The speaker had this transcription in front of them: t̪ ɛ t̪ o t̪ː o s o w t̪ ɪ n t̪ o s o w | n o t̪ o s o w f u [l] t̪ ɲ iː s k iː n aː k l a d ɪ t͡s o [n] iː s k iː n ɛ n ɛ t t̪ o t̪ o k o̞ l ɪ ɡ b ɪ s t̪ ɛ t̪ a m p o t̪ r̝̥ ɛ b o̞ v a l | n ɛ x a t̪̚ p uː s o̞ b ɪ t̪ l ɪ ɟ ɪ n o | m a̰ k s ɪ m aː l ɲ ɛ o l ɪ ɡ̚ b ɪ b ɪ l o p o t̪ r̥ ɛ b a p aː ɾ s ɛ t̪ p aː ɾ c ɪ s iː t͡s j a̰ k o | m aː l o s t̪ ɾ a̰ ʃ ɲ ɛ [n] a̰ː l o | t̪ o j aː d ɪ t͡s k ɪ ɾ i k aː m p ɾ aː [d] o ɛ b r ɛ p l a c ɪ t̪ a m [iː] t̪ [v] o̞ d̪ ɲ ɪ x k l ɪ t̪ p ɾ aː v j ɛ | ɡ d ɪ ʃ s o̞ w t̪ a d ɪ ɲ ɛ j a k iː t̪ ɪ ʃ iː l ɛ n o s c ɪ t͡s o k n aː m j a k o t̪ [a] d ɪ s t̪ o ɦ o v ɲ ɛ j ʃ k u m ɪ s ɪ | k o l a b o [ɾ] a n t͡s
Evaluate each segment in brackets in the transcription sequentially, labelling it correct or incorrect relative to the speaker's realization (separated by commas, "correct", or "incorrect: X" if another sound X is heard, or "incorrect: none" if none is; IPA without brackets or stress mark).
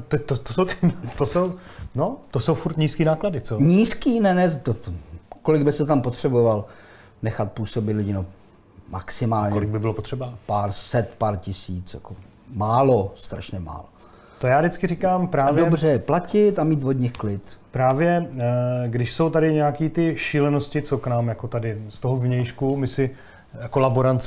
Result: incorrect: ɾ, incorrect: ɲ, incorrect: m, correct, correct, correct, correct, correct